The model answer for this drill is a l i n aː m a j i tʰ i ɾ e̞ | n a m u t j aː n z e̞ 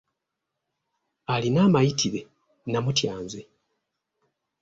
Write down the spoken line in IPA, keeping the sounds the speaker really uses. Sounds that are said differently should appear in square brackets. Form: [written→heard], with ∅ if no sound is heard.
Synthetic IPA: a l i n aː m a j i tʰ i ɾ e̞ | n a m u t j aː n z e̞